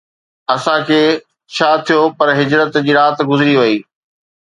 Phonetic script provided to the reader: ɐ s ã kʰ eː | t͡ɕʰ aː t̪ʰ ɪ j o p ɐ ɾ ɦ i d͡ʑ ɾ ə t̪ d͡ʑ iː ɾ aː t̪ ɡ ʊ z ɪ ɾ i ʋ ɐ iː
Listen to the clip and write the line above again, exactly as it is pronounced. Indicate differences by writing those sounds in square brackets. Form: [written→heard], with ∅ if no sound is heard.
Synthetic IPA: ɐ s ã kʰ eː | t͡ɕʰ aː t̪ʰ [ɪ→i] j o p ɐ ɾ ɦ [i→ɪ] d͡ʑ ɾ ə t̪ d͡ʑ iː ɾ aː t̪ ɡ ʊ z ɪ ɾ i ʋ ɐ iː